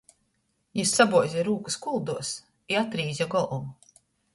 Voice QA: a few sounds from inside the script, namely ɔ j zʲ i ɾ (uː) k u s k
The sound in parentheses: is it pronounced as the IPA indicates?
yes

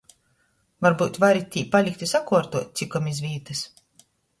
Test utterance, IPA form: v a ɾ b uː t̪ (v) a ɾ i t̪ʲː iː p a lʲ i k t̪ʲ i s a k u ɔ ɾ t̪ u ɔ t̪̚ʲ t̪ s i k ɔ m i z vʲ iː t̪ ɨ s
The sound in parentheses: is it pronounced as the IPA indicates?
yes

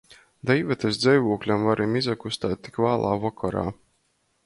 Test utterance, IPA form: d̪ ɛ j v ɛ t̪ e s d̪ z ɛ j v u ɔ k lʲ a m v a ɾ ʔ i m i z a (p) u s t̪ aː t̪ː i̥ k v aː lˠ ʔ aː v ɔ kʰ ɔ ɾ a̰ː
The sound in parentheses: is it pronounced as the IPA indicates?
no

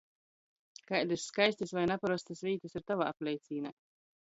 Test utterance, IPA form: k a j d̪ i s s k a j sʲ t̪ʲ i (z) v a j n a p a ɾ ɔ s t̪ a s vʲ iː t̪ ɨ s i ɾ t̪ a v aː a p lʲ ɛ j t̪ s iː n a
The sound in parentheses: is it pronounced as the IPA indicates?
no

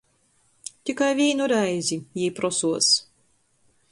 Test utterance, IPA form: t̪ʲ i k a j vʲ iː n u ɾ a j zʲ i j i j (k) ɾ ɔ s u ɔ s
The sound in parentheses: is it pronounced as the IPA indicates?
no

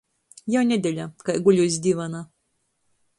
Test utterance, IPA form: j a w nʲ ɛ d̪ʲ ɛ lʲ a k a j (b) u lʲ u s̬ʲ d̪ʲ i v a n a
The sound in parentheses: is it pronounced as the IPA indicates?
no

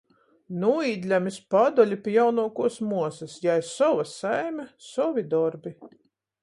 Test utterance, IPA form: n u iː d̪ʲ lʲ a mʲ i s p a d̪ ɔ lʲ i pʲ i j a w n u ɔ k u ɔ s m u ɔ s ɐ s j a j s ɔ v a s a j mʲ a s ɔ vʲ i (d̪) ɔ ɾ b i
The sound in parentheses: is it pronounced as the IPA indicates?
yes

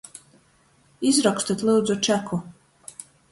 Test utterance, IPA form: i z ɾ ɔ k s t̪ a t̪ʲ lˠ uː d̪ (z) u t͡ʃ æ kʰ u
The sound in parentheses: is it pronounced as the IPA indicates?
yes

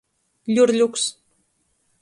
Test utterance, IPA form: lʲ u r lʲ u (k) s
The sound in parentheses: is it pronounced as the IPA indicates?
yes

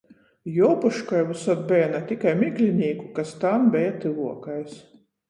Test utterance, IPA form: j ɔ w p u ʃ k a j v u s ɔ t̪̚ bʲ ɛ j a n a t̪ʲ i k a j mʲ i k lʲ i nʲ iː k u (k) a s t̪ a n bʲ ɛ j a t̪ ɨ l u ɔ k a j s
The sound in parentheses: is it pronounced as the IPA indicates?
yes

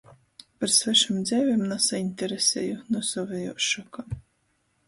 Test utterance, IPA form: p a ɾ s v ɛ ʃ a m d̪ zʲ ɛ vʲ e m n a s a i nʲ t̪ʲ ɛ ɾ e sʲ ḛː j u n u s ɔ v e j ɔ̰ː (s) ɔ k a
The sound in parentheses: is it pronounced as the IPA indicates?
no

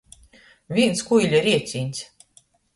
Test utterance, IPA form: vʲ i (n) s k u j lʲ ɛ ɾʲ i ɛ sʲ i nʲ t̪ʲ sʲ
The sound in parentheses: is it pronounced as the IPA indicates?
yes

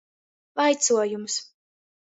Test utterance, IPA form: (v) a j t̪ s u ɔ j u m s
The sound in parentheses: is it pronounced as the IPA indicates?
yes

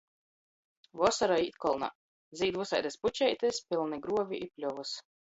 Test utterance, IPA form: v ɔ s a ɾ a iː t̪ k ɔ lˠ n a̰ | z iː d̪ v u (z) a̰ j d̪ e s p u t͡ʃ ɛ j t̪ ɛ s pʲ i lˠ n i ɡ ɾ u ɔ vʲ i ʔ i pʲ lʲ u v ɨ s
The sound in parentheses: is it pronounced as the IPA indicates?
no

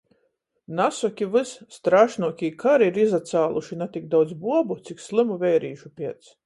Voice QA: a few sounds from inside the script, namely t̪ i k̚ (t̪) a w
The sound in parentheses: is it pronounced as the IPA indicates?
no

